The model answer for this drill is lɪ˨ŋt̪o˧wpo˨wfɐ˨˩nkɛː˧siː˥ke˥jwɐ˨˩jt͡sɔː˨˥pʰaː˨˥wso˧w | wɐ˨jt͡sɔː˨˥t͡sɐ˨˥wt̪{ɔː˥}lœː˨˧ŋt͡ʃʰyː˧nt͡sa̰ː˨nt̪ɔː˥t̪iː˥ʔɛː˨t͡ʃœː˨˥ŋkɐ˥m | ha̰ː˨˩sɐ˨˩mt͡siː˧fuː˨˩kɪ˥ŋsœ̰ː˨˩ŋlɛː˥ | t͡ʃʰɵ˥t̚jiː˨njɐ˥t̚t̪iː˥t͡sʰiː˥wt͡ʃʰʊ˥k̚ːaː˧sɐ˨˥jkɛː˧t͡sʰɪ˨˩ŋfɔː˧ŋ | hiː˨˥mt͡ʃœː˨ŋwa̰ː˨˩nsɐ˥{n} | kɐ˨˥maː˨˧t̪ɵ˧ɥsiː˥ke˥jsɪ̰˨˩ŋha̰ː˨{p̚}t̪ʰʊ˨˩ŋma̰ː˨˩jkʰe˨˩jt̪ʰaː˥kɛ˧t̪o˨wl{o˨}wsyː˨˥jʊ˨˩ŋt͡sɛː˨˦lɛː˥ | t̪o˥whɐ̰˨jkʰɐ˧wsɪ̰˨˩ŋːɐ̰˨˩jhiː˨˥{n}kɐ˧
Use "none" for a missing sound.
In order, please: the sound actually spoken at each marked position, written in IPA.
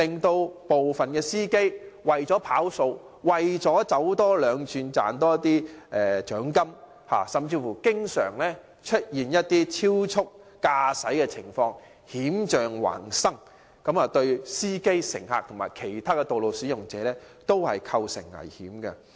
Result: ɔː˥, ŋ, k̚, o˨, m

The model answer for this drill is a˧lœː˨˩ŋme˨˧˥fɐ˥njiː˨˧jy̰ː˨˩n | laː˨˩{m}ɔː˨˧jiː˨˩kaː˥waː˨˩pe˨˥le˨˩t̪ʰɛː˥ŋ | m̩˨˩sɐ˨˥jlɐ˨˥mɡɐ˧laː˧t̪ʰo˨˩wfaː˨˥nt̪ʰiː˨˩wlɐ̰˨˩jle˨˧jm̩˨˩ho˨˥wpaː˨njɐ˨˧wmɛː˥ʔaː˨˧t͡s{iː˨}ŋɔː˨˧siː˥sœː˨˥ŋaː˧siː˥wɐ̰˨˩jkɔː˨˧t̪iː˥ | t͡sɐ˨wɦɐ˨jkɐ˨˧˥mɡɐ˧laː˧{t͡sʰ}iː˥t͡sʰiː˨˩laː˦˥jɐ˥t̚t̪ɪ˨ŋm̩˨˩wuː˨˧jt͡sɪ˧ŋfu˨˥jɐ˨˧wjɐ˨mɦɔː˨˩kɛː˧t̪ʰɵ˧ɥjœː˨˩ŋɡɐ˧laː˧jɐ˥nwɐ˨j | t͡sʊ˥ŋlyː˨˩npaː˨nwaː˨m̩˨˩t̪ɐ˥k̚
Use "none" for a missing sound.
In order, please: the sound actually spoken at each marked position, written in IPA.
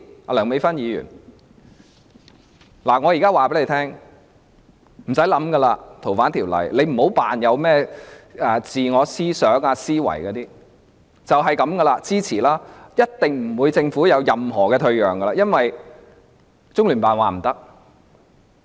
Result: ŋ, iː˨, t͡s

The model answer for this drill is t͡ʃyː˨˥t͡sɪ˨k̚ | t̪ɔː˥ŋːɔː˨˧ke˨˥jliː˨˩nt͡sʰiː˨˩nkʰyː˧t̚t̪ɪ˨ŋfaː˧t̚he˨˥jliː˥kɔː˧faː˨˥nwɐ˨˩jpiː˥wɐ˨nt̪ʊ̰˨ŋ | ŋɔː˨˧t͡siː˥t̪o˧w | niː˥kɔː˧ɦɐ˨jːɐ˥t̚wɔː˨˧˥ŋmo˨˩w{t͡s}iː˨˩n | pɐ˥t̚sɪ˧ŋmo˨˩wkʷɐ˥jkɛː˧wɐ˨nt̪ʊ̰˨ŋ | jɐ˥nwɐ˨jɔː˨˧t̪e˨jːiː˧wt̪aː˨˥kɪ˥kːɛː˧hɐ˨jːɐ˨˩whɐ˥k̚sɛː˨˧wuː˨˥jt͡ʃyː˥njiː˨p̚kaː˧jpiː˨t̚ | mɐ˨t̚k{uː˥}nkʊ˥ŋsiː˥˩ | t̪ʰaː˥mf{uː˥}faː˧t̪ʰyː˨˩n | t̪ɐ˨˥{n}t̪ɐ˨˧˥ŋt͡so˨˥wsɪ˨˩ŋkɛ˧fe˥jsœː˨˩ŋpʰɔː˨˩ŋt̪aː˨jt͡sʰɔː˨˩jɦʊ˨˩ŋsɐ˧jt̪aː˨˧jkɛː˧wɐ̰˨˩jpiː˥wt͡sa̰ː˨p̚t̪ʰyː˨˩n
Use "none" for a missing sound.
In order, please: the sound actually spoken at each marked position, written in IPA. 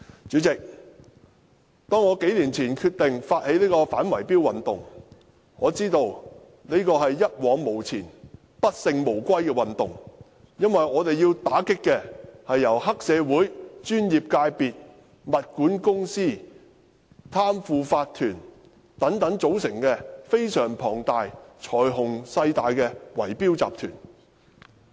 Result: t͡sʰ, uː˨˥, uː˨, ŋ

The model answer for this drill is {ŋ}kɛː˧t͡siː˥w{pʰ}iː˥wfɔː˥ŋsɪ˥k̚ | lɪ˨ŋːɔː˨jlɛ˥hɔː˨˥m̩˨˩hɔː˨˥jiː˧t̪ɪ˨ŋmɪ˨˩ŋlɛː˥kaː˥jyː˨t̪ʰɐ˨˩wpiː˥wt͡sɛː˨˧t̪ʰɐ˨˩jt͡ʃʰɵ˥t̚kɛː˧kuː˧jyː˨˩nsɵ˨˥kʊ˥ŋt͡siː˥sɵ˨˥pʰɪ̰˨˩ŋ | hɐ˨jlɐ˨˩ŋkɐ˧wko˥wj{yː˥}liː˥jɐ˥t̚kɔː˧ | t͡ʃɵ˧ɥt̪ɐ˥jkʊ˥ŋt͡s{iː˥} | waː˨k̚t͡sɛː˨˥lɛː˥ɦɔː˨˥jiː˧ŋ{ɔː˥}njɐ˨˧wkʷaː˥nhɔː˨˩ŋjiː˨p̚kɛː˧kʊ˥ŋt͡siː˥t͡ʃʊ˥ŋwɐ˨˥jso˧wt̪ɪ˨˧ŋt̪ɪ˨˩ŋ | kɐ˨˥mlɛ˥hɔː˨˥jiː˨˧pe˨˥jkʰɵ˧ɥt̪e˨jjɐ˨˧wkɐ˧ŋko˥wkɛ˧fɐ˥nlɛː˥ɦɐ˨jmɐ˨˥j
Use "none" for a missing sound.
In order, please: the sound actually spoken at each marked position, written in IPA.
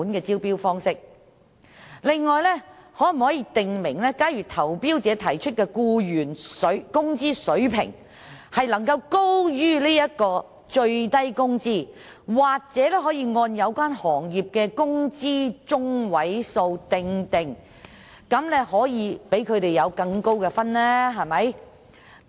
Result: n, p, yː˥, iː˥, ɔː˧

